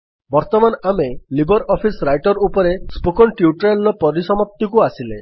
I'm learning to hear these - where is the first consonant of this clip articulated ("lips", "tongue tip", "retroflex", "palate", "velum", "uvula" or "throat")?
lips